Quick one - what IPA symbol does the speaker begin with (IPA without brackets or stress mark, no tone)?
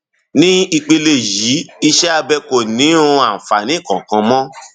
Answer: n